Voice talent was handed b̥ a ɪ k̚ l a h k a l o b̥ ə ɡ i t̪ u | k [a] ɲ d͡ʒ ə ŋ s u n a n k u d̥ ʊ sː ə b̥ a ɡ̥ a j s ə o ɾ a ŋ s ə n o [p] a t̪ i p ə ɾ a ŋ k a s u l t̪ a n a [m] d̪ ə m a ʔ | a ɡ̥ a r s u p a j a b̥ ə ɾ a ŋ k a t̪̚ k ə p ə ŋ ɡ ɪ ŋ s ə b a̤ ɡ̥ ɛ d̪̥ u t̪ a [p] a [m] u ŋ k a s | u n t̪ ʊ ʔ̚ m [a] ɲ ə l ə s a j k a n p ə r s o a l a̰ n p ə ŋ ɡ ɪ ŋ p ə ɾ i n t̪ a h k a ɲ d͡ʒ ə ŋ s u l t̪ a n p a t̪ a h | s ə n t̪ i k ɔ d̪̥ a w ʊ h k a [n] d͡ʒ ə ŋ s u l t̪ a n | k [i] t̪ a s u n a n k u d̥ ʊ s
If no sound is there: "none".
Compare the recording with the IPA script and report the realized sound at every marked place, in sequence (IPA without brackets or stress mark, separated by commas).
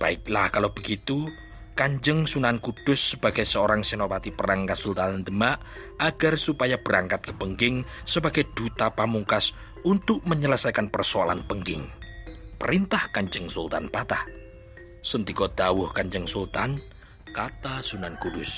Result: a, p, n, p, m, ə, ɲ, a